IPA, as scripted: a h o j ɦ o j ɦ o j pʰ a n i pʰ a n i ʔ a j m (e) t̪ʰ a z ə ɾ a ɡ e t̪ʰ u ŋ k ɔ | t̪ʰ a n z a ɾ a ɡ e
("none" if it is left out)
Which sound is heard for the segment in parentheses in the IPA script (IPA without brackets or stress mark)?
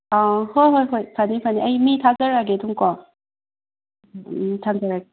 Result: i